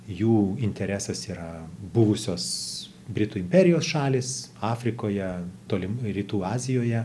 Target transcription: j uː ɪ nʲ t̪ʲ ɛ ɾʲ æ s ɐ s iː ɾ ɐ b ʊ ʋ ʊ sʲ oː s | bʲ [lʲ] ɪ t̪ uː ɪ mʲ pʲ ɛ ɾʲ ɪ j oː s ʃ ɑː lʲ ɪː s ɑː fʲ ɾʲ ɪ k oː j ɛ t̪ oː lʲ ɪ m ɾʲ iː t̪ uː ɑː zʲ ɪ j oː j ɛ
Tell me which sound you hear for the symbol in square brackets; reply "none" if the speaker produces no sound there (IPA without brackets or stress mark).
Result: ɾʲ